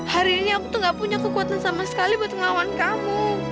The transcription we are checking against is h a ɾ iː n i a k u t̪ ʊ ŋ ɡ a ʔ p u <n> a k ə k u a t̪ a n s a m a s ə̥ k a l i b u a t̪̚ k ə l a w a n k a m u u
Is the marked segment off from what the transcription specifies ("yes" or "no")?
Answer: yes